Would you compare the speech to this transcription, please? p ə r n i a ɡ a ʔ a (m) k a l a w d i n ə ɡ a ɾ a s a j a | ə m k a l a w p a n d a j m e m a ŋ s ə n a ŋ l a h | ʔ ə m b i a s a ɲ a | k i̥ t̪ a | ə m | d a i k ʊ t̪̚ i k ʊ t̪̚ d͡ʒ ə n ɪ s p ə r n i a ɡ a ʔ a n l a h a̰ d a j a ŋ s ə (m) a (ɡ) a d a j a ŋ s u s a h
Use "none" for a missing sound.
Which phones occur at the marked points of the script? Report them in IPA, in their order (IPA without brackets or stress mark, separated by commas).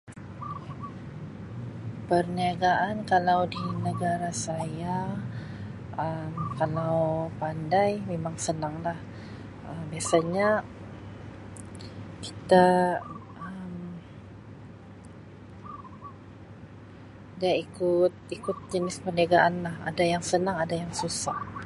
n, n, ŋ